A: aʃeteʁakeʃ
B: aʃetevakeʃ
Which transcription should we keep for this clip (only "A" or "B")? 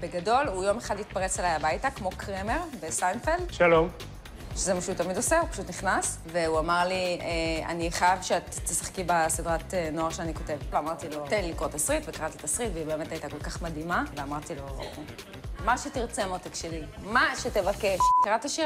B